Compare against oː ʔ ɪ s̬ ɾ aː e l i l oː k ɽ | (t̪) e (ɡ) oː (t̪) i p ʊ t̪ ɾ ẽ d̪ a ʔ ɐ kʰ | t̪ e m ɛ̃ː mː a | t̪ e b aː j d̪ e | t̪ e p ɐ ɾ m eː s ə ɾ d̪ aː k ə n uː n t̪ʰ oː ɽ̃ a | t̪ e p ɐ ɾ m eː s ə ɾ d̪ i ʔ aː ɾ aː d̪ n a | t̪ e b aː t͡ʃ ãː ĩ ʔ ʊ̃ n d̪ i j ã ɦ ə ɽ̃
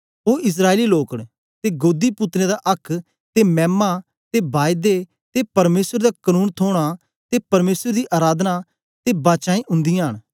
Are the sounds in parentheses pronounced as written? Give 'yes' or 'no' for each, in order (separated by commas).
yes, yes, no